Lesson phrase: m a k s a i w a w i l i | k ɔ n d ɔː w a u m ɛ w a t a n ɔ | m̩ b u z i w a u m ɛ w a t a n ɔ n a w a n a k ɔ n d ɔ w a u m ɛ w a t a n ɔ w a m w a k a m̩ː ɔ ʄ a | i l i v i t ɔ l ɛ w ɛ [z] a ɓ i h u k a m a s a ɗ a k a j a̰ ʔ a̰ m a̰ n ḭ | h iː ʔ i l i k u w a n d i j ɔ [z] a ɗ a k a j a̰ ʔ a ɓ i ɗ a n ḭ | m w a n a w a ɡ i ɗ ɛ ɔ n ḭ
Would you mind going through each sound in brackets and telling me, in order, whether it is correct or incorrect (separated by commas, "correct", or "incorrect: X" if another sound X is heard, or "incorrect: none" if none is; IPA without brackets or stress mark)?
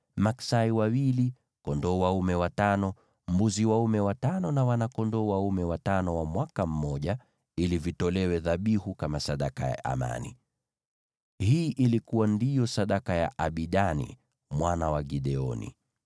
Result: incorrect: ð, incorrect: s